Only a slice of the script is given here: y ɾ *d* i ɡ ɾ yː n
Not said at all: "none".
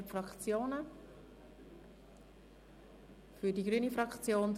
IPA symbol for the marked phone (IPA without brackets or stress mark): d